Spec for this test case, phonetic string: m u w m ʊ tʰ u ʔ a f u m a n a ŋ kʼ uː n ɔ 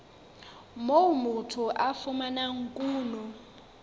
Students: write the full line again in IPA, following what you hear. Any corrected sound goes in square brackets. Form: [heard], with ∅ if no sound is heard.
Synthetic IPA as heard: m [o] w m [u] tʰ u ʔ a f u m a n a ŋ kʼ uː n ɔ